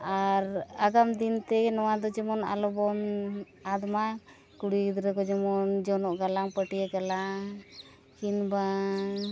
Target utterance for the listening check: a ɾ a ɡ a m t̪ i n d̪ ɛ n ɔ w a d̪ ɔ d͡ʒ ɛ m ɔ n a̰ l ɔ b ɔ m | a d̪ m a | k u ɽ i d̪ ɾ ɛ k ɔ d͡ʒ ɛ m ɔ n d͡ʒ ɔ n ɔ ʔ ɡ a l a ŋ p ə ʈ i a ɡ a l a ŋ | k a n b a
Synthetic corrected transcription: a ɾ a ɡ a m d̪ i n t̪ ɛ n ɔ w a d̪ ɔ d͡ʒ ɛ m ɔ n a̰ l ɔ b ɔ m | a d̪ m a | k u ɽ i d̪ ɾ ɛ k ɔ d͡ʒ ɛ m ɔ n d͡ʒ ɔ n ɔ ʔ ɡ a l a ŋ p ə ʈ i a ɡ a l a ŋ | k i n b a